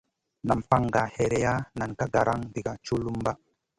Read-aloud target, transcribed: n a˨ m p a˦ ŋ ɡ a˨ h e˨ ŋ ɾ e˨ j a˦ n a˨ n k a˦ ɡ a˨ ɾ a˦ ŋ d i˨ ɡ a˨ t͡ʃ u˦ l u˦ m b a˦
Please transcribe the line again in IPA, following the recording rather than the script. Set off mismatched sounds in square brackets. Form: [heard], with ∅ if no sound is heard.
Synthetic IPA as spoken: n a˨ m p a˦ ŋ ɡ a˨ h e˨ [∅] ɾ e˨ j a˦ n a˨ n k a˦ ɡ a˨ ɾ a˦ ŋ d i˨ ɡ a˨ t͡ʃ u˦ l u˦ m b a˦